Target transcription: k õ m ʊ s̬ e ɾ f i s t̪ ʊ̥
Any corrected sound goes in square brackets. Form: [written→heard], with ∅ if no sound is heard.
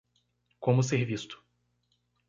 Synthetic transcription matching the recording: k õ m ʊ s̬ e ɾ [f→v] i s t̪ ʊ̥